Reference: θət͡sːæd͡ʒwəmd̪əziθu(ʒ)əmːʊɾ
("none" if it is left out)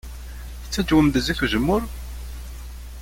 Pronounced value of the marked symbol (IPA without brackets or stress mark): ʒ